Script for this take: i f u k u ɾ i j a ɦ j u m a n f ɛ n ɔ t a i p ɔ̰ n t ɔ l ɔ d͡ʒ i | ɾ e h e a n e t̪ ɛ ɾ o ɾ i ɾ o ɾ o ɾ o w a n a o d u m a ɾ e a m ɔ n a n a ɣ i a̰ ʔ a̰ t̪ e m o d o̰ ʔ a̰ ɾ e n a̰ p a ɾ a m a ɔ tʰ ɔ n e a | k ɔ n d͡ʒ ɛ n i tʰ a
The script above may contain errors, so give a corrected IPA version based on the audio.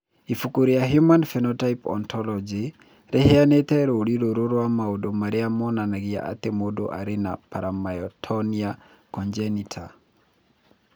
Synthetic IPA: i f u k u ɾ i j a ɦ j u m a n f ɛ n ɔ t a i p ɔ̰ n t ɔ l ɔ d͡ʒ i | ɾ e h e a n e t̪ ɛ ɾ o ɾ i ɾ o ɾ o ɾ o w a m a o d o m a ɾ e a m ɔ n a n a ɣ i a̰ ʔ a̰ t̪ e m o d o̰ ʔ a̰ ɾ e n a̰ p a ɾ a m a ɔ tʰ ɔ n i a | k ɔ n d͡ʒ ɛ n i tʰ a

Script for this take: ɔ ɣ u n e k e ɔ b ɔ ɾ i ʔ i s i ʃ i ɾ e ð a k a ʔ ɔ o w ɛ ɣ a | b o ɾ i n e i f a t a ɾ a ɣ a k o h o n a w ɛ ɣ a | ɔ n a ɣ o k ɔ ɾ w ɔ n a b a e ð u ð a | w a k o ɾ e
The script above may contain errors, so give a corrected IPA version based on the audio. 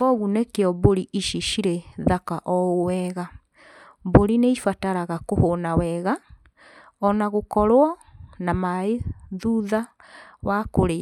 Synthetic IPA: ɔ ɣ u n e k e ɔ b o ɾ i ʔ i ʃ i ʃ i ɾ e ð a k a ʔ ɔ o w ɛ ɣ a | b o ɾ i n e i f a t a ɾ a ɣ a k o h o n a w ɛ ɣ a | ɔ n a ɣ o k ɔ ɾ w ɔ n a m a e ð u ð a | w a k o ɾ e

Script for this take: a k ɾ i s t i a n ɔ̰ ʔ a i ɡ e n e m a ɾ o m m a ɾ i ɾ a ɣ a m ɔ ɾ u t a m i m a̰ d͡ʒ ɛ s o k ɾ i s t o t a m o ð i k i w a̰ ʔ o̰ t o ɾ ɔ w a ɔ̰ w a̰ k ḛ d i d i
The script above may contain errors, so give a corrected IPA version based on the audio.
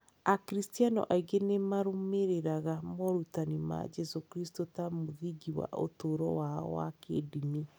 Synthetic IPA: a k ɾ i s t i a n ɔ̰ ʔ a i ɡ e n e m a ɾ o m m e ɾ e ɾ a ɣ a m ɔ ɾ u t a n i m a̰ d͡ʒ ɛ s o k ɾ i s t o t a m o ð i ɡ i w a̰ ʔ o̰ t o ɾ ɔ w a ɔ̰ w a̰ k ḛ d i n i

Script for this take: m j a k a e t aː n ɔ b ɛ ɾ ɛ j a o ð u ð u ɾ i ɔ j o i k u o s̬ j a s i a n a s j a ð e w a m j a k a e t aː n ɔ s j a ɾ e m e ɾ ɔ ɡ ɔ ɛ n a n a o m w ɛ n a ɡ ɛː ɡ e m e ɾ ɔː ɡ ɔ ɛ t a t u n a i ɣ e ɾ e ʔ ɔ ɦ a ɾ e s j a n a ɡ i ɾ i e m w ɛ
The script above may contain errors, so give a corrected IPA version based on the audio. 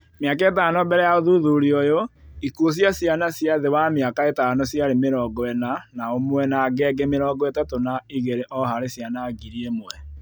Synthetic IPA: m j a k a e t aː n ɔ b ɛ ɾ ɛ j a o ð u ð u ɾ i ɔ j o i k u o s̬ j a s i a n a s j a ð e w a m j a k a e t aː n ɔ s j a ɾ e m e ɾ ɔ ɡ ɔ ɛ n a n a o m w ɛ n a ɡ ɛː ɡ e m e ɾ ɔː ɡ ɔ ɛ t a t o n a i ɣ e ɾ e ʔ ɔ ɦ a ɾ e s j a n a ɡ i ɾ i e m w ɛ

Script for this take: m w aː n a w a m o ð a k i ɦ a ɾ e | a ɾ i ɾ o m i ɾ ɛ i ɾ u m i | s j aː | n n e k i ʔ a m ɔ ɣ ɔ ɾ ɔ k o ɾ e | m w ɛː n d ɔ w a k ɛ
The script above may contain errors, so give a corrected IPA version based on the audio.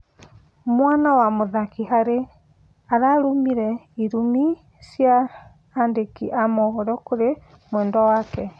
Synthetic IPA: m w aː n a w a m o ð a k i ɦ a ɾ e | a ɾ a ɾ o m i ɾ ɛ i ɾ u m i | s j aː | n d e k i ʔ a m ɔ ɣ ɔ ɾ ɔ k o ɾ e | m w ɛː n d ɔ w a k ɛ

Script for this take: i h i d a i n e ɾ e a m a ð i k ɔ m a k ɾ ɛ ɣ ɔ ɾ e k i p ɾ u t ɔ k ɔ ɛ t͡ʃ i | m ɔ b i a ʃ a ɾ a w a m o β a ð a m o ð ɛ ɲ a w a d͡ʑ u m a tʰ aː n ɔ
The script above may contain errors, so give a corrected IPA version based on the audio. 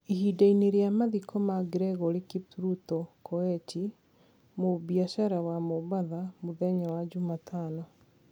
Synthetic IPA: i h i d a i n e ɾ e a m a ð i k ɔ m a ɡ ɾ ɛ ɣ ɔ ɾ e k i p ɾ u t ɔ k ɔ ɛ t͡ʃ i | m o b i a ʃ a ɾ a w a m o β a ð a m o ð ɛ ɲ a w a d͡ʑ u m a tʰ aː n ɔ

